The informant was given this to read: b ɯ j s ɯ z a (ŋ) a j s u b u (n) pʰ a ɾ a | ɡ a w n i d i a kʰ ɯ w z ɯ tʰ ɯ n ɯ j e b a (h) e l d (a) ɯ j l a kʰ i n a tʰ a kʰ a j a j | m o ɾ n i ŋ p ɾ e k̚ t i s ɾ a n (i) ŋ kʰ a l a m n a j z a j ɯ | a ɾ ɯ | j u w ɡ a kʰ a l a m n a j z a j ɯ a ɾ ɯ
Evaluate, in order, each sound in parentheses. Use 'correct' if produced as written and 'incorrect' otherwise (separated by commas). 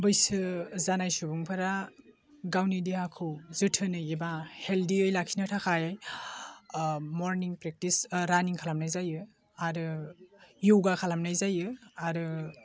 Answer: incorrect, incorrect, correct, incorrect, correct